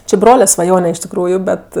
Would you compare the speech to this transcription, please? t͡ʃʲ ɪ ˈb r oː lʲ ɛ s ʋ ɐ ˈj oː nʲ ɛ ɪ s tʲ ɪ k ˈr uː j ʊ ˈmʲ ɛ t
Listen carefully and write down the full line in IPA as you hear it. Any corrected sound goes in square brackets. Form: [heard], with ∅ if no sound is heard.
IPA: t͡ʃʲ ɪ ˈb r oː lʲ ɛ s ʋ ɐ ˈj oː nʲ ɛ ɪ [ʃ] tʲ ɪ k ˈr uː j ʊ [ˈbʲ] ɛ t

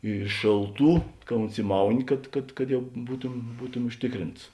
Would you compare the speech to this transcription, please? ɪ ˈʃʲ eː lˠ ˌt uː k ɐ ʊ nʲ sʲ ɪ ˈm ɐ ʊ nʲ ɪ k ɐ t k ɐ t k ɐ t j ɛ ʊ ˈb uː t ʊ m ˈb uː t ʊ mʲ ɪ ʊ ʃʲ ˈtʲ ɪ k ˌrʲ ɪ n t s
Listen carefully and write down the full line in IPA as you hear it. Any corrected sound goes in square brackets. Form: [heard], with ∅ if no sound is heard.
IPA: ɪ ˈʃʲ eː lˠ ˌt uː k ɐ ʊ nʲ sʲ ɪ ˈm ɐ ʊ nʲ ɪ k ɐ t k ɐ t k ɐ t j ɛ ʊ ˈb uː t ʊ m ˈb uː t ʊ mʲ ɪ ʊ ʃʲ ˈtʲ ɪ k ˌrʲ ɪ n t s

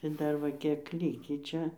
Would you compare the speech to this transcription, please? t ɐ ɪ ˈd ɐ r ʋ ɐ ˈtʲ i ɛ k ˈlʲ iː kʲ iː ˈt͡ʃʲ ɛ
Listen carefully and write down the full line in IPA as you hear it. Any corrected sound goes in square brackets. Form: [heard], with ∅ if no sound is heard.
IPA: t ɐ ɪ ˈd ɐ r ʋ ɐ [ˈkʲ] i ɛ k ˈlʲ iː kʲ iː ˈt͡ʃʲ ɛ

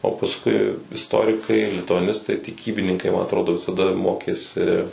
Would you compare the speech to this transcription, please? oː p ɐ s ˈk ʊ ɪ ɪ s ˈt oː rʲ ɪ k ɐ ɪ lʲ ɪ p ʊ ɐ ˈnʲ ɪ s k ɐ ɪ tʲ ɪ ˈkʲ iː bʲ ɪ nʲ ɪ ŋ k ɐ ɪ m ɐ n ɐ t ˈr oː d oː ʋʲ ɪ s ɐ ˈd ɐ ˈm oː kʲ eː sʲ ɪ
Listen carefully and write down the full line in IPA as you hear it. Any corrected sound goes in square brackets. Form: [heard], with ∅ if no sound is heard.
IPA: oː p ɐ s ˈk ʊ ɪ ɪ s ˈt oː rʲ ɪ k ɐ ɪ lʲ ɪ [t] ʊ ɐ ˈnʲ ɪ s [t] ɐ ɪ tʲ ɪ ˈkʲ iː bʲ ɪ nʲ ɪ ŋ k ɐ ɪ m ɐ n ɐ t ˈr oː d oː ʋʲ ɪ s ɐ ˈd ɐ ˈm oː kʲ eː sʲ ɪ

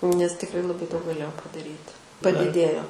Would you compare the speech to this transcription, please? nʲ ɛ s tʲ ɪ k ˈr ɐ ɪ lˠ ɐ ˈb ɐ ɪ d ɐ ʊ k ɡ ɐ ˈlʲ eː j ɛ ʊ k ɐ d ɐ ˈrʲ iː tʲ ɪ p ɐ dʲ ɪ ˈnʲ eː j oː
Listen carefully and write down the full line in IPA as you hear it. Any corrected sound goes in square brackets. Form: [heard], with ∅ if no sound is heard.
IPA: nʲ ɛ s tʲ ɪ k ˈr ɐ ɪ lˠ ɐ ˈb ɐ ɪ d ɐ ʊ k ɡ ɐ ˈlʲ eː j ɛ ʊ [p] ɐ d ɐ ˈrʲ iː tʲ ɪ p ɐ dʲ ɪ [ˈdʲ] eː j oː

